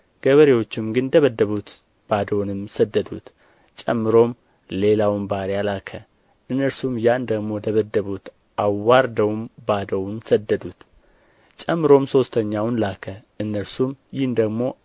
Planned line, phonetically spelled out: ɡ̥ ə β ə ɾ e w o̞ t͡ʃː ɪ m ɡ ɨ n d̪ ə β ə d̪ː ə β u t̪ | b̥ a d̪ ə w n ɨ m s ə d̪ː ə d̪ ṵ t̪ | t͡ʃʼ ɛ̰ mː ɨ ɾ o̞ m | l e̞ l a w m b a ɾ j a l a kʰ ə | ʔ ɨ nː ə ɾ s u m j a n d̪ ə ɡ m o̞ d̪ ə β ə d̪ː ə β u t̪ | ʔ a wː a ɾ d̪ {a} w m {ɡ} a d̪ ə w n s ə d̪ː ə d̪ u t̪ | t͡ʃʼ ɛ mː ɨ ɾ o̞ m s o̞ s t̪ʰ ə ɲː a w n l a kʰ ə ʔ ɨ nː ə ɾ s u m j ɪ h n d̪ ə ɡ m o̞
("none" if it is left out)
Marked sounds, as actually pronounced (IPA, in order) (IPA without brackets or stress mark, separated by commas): ə, b